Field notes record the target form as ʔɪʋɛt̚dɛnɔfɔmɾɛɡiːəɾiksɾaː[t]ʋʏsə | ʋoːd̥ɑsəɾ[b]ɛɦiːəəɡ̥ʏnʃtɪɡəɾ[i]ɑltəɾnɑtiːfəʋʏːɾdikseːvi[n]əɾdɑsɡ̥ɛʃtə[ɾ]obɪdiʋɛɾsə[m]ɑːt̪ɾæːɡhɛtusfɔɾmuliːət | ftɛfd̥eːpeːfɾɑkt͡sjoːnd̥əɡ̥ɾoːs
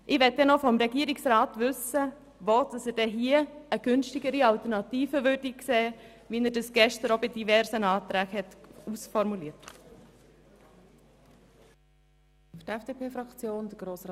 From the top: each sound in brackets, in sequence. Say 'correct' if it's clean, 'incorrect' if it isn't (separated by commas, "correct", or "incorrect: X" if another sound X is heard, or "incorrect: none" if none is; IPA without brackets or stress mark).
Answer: correct, incorrect: d, correct, correct, correct, incorrect: n